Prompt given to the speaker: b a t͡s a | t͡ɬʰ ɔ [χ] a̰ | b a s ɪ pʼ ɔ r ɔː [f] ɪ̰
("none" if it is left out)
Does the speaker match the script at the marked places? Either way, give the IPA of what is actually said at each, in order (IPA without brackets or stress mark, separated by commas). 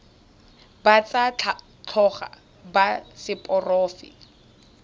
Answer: χ, f